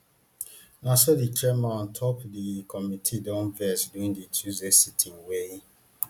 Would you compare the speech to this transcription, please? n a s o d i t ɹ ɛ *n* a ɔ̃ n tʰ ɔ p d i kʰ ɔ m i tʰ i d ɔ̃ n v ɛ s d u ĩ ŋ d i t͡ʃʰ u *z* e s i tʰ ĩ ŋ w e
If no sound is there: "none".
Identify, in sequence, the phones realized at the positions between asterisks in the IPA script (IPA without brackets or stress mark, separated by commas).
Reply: m, z